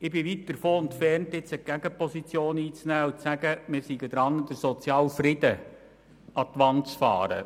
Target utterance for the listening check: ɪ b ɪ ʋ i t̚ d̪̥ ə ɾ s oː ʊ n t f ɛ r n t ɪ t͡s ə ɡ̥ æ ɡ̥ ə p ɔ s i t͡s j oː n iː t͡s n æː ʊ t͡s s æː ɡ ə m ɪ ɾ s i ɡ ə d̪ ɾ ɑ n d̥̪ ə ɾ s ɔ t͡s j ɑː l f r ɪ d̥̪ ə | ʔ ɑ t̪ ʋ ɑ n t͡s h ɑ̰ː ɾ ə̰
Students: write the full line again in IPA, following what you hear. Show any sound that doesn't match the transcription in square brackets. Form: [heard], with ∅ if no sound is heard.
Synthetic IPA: ɪ b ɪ ʋ i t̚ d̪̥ ə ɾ [f] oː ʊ n t f ɛ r n t ɪ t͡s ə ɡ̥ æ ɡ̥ ə p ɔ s i t͡s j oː n iː t͡s n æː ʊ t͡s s [æ] ɡ ə m ɪ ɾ s i ɡ ə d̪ ɾ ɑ n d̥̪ ə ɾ s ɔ t͡s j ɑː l f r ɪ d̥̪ ə | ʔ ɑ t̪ ʋ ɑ n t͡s [f] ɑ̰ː ɾ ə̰